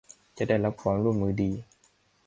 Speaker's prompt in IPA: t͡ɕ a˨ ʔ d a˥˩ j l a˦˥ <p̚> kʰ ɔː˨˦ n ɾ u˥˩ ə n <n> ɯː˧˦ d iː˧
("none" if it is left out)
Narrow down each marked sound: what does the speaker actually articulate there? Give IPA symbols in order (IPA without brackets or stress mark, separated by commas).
p̚, m